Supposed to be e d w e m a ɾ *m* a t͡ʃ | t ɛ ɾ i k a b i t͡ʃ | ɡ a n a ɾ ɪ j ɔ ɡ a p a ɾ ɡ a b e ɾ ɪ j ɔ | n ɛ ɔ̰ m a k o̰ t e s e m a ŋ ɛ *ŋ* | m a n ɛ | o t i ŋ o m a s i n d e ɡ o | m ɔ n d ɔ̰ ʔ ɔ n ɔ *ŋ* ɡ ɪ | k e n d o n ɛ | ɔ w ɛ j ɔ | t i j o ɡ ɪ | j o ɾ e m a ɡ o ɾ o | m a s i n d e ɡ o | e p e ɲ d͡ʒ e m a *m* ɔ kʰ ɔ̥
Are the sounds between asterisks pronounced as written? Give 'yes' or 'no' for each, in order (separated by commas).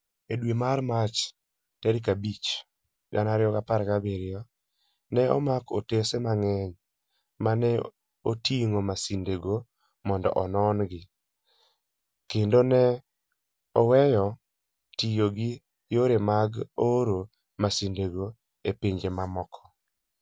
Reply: yes, no, no, yes